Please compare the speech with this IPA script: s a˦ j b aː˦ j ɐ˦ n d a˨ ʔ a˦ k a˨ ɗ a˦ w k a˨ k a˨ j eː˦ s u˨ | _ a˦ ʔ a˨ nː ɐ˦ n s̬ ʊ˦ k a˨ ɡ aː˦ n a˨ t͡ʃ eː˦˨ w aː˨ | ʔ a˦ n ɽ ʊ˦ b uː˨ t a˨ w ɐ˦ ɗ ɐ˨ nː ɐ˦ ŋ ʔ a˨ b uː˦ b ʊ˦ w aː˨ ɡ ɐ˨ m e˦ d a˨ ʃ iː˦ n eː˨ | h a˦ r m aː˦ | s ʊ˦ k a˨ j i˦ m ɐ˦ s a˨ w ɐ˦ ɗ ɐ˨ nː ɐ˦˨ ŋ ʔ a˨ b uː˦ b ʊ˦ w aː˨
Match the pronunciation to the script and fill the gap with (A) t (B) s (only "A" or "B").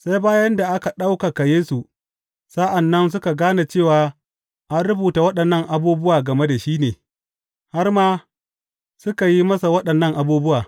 B